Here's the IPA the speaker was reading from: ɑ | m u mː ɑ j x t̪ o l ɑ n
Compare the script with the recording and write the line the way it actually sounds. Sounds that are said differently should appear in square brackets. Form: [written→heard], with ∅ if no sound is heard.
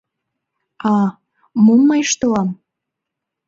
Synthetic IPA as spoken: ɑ | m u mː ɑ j [x→ʃ] t̪ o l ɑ [n→m]